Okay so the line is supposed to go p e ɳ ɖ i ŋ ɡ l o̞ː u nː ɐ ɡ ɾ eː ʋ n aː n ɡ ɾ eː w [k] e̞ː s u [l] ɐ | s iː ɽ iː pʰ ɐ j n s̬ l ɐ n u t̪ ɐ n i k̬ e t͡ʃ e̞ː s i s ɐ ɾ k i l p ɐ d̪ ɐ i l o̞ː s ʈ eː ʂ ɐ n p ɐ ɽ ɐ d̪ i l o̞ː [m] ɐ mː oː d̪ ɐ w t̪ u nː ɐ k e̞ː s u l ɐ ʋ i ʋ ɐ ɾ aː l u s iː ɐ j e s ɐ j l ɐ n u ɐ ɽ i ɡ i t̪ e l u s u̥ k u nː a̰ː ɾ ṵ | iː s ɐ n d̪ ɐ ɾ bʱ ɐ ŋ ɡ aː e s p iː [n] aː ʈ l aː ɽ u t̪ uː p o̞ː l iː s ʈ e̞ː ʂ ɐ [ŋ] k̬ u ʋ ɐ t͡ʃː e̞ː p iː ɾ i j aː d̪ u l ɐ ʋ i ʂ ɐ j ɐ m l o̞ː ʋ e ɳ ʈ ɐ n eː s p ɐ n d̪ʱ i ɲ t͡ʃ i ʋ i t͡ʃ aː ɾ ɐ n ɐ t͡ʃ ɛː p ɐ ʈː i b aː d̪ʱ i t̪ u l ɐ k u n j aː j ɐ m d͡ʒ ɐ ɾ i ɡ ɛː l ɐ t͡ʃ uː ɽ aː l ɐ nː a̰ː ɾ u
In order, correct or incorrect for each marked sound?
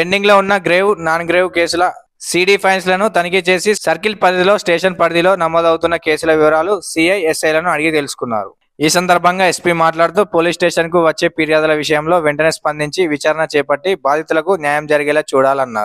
correct, correct, incorrect: n, incorrect: m, incorrect: n

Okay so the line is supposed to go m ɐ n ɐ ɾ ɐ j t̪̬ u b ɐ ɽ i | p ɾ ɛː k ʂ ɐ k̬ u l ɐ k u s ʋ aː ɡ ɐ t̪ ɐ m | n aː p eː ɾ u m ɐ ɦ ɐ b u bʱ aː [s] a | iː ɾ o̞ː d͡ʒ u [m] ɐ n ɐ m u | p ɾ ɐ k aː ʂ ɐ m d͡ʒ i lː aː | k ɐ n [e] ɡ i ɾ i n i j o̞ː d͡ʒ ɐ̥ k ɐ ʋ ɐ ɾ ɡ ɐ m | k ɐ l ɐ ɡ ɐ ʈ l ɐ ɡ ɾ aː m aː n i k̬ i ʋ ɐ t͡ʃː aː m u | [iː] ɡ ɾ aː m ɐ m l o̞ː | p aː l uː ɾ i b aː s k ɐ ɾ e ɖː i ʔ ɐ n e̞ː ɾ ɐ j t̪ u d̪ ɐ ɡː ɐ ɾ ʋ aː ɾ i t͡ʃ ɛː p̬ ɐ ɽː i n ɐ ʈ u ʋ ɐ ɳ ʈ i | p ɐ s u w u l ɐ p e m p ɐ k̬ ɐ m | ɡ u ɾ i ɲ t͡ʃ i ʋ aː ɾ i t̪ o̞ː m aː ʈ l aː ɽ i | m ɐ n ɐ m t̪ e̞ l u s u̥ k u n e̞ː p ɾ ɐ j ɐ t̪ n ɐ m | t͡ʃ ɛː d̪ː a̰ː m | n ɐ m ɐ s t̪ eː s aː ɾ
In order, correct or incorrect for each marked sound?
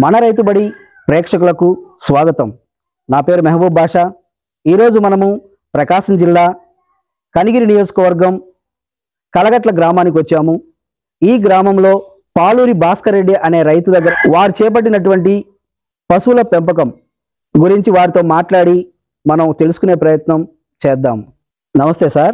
incorrect: ʂ, correct, incorrect: i, correct

